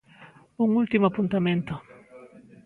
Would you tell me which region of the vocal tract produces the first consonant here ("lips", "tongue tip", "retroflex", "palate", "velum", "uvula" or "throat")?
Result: velum